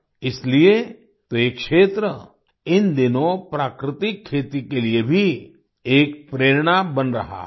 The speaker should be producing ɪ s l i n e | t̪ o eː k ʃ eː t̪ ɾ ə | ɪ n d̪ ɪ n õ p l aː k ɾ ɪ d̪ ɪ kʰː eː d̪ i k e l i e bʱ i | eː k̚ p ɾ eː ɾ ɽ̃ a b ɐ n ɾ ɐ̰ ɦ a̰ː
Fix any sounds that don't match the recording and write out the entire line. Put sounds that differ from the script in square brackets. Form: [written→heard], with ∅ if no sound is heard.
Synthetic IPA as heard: ɪ s l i [n→∅] e | t̪ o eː k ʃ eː t̪ ɾ ə | ɪ n d̪ ɪ n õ p [l→ɾ] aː k ɾ ɪ [d̪→t̪] ɪ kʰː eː [d̪→t̪] i k e l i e bʱ i | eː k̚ p ɾ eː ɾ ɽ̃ a b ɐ n ɾ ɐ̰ ɦ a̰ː